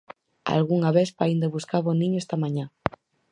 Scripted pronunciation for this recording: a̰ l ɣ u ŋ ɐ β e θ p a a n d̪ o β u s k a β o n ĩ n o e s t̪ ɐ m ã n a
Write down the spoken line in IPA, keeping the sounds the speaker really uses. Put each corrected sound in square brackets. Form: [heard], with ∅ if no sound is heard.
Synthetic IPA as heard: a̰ l ɣ u ŋ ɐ β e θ p a [i] n d̪ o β u s k a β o n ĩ [ɲ] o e s t̪ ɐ m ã [ɲ] a